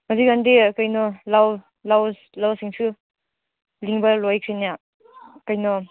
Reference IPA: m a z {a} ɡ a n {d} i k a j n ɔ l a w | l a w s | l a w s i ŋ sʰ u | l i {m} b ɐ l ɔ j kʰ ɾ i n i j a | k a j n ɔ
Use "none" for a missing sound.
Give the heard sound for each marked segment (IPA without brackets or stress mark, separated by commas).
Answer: i, d, ŋ